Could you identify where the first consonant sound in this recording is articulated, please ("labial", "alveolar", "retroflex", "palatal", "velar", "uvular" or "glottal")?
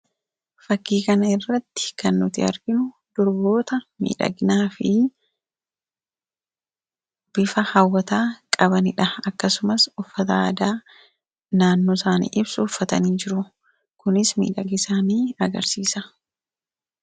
labial